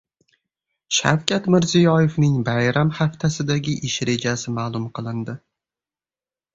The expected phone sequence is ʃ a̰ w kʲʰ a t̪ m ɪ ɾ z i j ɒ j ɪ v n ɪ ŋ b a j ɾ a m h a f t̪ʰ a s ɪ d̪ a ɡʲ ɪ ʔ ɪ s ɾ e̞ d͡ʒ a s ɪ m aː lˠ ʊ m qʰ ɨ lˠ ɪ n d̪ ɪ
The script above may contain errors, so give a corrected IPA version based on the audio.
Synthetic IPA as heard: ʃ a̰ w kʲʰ a t̪ m ɪ ɾ z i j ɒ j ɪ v n ɪ ŋ b a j ɾ a m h a f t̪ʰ a s ɪ d̪ a ɡʲ ɪ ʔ ɪ ʃ ɾ e̞ d͡ʒ a s ɪ m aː lˠ ʊ m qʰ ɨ lˠ ɪ n d̪ ɪ

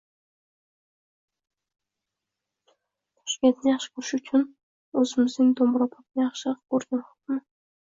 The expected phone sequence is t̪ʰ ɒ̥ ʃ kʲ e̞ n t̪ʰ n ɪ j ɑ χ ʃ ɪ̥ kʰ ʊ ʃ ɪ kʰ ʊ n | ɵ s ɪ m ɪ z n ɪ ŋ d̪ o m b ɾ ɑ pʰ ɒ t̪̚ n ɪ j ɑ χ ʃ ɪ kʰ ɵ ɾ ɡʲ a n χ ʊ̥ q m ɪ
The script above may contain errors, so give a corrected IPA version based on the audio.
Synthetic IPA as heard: t̪ʰ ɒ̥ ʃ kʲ e̞ n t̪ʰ n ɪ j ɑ χ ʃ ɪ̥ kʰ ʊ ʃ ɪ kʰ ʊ n | ɵ z ɪ m ɪ z n ɪ ŋ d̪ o m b ɾ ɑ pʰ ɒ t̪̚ n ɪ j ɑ χ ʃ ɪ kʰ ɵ ɾ ɡʲ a n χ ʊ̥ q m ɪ

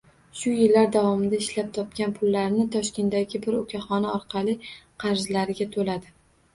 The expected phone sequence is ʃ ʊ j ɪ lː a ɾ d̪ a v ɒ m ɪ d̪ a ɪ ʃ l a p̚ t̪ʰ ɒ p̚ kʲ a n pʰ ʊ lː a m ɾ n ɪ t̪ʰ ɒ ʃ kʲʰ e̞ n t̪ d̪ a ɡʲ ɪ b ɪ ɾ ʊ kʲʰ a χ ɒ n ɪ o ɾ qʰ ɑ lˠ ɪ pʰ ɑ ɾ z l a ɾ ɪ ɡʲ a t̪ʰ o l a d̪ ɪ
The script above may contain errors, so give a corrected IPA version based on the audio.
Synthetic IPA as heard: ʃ ʊ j ɪ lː a ɾ d̪ a v ɒ m ɪ d̪ a ɪ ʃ l a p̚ t̪ʰ ɒ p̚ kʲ a n pʰ ʊ lː a ɾ n ɪ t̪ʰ ɒ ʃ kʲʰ e̞ n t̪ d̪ a ɡʲ ɪ b ɪ ɾ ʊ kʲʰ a χ ɒ n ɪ ɒ ɾ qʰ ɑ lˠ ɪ qʰ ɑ ɾ z l a ɾ ɪ ɡʲ a t̪ʰ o l a d̪ ɪ

